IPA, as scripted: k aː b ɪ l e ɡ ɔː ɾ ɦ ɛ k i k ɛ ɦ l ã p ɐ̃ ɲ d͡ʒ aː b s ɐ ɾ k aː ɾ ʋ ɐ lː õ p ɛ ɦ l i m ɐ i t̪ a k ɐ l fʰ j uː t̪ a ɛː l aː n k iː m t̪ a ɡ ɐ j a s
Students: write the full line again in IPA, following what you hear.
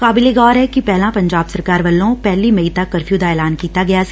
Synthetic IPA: k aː b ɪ l e ɡ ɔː ɾ ɦ ɛ k i p ɛ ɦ l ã p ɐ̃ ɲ d͡ʒ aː b s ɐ ɾ k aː ɾ ʋ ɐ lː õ p ɛ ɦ l i m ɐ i t̪ a k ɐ ɾ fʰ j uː d̪ a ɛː l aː n k iː t̪ a ɡ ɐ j a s